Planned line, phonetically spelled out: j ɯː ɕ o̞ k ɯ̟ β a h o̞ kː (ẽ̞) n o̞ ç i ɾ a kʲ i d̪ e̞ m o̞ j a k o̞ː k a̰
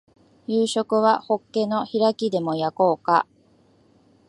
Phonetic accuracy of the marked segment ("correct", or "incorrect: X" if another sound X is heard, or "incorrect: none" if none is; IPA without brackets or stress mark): incorrect: e̞